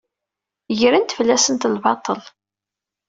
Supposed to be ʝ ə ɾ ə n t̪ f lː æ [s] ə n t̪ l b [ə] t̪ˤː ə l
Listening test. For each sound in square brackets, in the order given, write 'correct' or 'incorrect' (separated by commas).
correct, incorrect